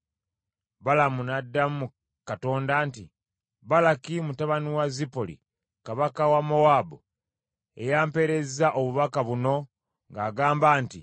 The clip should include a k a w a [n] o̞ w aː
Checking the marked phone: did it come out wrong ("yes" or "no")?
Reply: yes